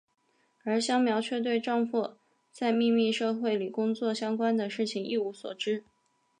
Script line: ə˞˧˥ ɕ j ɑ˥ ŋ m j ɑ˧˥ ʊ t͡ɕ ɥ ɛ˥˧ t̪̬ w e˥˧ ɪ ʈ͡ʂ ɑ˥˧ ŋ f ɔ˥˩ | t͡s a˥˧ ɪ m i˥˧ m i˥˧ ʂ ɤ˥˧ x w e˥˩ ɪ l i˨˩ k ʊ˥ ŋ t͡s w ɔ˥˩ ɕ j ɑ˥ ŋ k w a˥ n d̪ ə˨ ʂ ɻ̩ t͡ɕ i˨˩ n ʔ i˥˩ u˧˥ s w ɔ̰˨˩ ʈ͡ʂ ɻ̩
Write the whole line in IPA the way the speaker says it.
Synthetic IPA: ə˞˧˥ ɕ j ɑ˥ ŋ m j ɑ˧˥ ʊ t͡ɕʰ ɥ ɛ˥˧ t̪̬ w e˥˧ ɪ ʈ͡ʂ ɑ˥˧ ŋ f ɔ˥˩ | t͡s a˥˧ ɪ m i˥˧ m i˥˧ ʂ ɤ˥˧ x w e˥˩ ɪ l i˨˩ k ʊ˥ ŋ t͡s w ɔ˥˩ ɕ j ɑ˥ ŋ k w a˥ n d̪ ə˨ ʂ ɻ̩ t͡ɕʰ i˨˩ ŋ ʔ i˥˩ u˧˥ s w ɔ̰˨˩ ʈ͡ʂ ɻ̩